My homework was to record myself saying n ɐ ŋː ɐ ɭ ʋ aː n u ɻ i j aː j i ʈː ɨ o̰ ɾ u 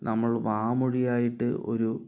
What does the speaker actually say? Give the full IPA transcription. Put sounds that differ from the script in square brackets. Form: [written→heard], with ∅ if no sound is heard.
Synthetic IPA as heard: n ɐ [ŋː→mː] ɐ ɭ ʋ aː [n→m] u ɻ i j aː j i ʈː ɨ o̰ ɾ u